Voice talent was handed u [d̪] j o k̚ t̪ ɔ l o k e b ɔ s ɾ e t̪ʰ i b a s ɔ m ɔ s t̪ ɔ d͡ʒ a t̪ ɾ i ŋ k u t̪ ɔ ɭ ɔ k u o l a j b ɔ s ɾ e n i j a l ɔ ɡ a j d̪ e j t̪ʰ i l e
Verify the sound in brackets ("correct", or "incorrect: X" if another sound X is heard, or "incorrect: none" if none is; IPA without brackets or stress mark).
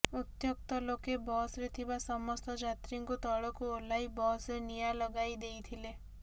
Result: incorrect: t̪